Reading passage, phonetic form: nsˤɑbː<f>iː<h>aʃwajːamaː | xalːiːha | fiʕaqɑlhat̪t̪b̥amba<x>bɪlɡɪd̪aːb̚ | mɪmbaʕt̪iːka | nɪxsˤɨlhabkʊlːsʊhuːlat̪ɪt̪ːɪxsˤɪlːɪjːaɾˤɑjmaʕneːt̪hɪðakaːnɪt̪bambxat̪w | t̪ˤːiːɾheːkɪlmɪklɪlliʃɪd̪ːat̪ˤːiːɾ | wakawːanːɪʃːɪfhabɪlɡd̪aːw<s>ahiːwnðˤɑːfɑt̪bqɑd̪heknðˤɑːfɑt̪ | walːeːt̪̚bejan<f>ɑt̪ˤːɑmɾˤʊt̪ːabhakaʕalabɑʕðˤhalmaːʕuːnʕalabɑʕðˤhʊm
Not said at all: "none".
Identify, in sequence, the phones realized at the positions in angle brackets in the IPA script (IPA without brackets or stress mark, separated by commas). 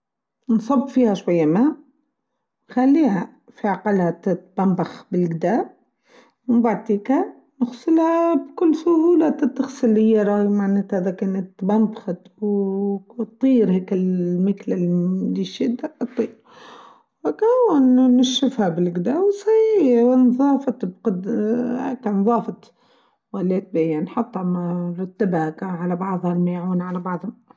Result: f, h, x, s, ħ